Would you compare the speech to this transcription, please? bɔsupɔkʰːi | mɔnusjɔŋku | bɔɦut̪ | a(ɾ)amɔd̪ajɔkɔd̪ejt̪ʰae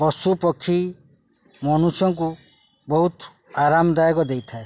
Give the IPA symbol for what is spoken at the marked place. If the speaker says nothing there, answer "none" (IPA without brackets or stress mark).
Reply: ɾ